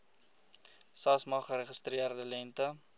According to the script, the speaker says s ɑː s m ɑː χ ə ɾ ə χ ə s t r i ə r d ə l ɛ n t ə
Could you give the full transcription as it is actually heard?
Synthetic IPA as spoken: s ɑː s m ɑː χ ə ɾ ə χ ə s t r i ə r d ə l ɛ n t ə